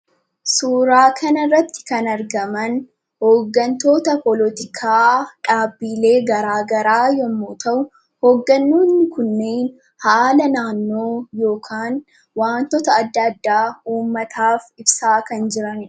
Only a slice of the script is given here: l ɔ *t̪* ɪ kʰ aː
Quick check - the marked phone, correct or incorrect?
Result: correct